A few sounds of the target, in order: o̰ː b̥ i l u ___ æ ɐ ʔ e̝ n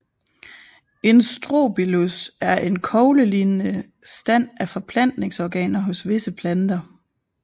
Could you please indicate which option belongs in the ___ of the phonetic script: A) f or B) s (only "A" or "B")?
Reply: B